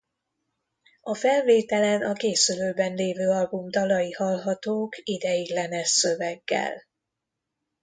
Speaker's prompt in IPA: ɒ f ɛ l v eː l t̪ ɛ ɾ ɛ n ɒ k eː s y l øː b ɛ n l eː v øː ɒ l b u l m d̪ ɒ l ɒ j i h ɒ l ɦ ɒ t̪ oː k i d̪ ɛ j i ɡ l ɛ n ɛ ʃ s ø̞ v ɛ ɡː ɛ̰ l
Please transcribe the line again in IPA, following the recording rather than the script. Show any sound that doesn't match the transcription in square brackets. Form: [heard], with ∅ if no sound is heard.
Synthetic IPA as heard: ɒ f ɛ l v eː [∅] t̪ ɛ [l] ɛ n ɒ k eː s y l øː b ɛ n l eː v øː ɒ l b u [∅] m d̪ ɒ l ɒ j i h ɒ l ɦ ɒ t̪ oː k i d̪ ɛ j i ɡ l ɛ n ɛ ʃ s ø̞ v ɛ ɡː ɛ̰ l